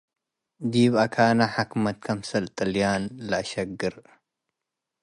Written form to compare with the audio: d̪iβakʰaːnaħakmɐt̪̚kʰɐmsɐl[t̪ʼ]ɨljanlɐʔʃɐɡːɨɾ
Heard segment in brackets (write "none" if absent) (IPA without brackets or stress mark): t̪ʼ